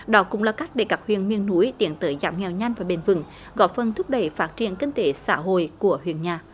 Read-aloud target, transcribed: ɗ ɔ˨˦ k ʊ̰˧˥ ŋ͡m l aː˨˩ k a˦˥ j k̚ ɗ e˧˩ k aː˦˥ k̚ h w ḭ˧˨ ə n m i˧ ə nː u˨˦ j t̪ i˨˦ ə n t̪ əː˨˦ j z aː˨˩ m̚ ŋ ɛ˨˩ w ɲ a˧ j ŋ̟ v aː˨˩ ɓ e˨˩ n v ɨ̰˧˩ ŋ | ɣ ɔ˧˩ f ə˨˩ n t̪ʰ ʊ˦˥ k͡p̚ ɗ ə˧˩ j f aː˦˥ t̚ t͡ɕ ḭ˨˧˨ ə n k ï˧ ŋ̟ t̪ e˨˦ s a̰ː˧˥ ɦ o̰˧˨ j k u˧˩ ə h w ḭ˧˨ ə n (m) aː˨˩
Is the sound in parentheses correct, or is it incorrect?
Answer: incorrect